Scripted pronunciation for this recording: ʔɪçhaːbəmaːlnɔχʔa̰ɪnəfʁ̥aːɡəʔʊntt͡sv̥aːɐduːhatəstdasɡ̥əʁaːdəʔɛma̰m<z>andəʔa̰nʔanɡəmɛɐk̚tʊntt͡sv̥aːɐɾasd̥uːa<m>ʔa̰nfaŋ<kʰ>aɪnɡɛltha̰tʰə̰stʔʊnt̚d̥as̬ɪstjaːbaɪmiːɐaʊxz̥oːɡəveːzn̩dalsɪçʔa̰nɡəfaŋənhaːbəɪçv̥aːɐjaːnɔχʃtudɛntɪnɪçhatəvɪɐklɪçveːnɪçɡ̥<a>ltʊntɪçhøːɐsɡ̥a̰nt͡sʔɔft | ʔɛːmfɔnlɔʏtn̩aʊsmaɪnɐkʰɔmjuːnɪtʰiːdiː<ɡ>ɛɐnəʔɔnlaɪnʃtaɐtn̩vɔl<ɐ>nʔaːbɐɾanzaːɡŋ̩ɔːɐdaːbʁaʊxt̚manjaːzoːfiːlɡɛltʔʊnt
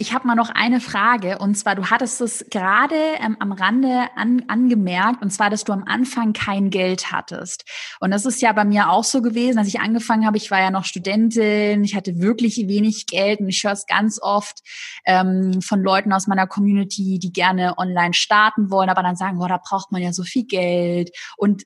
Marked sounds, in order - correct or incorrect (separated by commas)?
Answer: incorrect, correct, correct, incorrect, correct, incorrect